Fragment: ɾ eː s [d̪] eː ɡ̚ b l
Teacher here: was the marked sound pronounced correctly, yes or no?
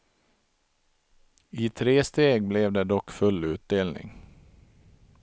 no